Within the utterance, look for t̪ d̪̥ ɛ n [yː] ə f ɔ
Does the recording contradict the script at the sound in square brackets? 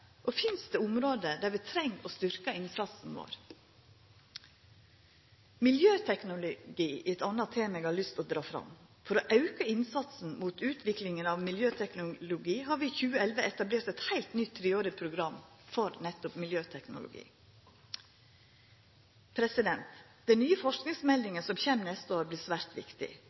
no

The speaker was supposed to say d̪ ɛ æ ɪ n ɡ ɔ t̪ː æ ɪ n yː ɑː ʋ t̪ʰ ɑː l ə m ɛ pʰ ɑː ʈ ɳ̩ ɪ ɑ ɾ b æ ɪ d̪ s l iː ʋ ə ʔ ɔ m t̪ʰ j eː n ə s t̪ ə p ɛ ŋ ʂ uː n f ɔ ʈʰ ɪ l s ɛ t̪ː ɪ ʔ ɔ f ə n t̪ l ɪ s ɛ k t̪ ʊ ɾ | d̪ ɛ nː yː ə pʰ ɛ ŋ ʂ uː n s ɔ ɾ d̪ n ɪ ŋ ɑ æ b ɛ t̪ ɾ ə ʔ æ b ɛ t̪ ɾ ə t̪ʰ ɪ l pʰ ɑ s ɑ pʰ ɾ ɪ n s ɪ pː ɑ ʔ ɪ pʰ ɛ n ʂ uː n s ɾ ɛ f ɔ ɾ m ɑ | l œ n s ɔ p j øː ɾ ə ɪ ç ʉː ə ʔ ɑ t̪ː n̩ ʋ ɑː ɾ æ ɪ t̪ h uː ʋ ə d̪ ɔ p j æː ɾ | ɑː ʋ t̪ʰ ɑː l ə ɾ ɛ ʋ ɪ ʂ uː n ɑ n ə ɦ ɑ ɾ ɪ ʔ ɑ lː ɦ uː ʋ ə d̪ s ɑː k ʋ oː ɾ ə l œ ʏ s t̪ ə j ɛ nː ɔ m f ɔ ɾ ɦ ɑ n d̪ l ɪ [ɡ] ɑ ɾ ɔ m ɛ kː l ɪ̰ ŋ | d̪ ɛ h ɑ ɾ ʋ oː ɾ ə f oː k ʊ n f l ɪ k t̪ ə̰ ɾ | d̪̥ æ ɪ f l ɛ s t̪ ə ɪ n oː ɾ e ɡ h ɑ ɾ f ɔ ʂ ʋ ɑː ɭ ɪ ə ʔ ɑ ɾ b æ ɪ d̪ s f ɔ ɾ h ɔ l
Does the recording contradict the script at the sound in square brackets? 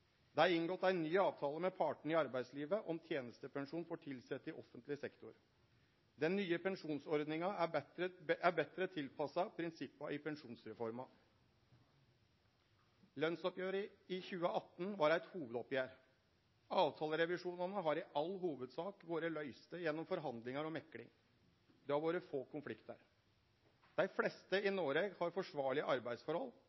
yes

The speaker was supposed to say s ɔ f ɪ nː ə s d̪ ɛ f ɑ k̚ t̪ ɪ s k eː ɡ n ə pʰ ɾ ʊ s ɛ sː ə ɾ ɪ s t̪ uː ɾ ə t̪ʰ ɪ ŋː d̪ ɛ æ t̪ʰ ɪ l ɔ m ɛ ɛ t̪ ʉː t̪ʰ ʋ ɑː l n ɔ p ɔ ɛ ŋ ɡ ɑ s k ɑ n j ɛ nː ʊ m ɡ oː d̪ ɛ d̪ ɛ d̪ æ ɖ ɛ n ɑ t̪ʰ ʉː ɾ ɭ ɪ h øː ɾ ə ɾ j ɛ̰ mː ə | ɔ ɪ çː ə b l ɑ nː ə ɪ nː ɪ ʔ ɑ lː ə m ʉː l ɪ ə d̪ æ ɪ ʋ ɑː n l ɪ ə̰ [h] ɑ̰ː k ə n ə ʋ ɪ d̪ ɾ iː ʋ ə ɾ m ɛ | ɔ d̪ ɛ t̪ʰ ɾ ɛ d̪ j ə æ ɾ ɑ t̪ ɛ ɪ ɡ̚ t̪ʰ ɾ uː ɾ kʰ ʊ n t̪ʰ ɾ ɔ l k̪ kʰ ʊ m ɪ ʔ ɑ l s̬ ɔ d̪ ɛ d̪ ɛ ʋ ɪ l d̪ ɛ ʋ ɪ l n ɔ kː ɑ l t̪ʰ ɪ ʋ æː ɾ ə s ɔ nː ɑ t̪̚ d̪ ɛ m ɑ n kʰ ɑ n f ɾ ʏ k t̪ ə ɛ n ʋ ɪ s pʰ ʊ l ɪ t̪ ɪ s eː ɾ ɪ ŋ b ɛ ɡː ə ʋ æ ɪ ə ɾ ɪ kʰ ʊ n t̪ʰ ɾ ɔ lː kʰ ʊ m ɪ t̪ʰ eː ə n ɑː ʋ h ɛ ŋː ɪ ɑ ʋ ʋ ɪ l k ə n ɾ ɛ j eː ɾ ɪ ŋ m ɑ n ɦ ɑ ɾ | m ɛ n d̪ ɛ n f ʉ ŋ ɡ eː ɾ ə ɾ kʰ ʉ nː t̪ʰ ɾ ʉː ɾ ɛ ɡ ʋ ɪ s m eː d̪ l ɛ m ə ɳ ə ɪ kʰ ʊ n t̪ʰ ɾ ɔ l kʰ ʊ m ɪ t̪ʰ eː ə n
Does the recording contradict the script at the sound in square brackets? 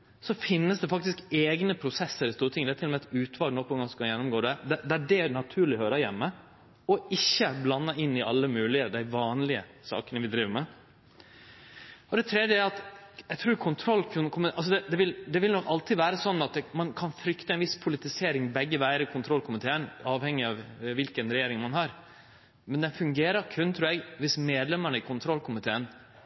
yes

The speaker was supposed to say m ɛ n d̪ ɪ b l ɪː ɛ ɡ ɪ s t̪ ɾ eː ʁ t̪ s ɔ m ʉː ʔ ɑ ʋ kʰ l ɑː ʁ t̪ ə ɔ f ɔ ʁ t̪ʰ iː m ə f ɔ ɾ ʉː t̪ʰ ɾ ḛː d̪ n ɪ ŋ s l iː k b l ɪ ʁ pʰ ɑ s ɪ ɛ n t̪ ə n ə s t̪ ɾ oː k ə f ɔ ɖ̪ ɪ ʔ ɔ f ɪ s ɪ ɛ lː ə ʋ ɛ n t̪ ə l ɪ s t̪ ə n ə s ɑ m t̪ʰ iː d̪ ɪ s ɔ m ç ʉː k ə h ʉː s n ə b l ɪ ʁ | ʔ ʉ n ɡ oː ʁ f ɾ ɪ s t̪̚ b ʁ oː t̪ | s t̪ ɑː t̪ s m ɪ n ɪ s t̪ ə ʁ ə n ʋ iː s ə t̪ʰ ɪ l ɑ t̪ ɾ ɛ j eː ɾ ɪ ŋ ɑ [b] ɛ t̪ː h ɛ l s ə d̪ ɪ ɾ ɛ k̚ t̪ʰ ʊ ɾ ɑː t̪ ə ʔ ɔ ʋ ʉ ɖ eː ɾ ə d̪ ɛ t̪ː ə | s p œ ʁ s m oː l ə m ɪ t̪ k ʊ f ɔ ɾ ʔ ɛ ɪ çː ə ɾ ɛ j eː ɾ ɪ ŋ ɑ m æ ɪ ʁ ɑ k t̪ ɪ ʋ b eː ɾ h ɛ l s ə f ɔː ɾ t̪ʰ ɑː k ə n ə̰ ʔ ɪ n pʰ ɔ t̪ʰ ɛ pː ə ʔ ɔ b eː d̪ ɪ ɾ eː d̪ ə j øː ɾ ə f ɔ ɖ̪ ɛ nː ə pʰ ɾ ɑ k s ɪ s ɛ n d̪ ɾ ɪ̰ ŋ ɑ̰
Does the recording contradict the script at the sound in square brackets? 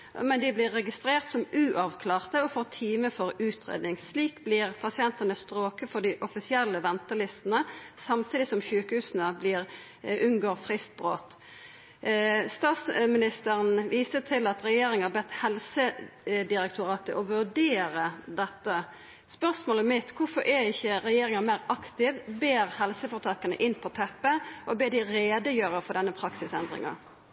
no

